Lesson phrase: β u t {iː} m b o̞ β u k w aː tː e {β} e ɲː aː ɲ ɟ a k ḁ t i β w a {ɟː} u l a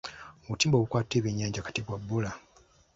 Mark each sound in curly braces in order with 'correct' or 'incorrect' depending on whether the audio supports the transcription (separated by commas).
correct, correct, incorrect